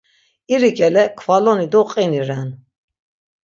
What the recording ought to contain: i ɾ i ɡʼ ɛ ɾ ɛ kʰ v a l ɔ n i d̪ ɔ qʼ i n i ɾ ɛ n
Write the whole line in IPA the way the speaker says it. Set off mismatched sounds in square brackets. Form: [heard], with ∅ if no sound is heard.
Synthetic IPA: i ɾ i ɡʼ ɛ [l] ɛ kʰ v a l ɔ n i d̪ ɔ qʼ i n i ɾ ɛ n